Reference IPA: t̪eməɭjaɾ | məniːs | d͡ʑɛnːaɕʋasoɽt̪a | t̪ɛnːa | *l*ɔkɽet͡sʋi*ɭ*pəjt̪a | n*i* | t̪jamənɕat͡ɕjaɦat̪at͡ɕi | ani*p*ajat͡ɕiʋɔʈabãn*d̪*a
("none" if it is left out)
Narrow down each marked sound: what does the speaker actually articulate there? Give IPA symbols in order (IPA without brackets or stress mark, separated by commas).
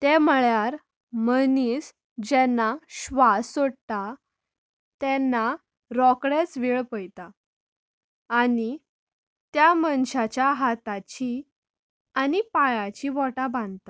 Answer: ɾ, ɭ, i, p, t̪